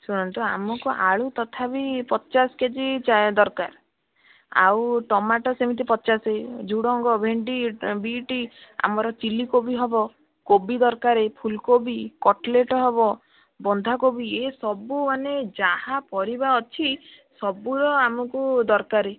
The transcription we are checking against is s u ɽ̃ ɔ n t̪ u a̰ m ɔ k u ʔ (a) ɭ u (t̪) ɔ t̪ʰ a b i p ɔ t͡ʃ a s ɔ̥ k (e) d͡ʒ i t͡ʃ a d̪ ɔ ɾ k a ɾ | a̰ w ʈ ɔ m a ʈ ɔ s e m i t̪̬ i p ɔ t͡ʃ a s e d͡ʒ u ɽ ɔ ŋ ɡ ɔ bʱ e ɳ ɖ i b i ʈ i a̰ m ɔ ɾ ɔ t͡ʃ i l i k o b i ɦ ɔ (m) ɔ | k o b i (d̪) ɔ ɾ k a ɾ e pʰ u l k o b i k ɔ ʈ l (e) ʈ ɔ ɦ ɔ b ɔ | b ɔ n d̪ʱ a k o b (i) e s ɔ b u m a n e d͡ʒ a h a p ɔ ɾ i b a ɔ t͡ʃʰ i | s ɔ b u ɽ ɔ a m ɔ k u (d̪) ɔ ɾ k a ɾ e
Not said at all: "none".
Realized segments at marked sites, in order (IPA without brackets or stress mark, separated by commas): a, t̪, e, b, d̪, e, i, d̪